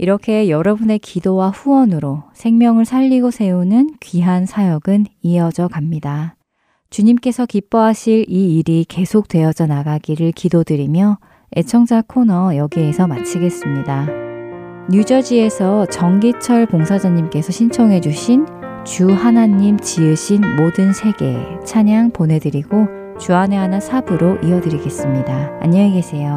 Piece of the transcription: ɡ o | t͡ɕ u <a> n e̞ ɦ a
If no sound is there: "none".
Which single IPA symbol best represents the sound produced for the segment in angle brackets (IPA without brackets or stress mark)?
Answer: a